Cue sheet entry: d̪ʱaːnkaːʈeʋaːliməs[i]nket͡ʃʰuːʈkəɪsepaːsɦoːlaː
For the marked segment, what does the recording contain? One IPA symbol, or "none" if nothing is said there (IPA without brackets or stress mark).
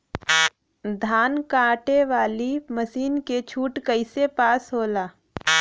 iː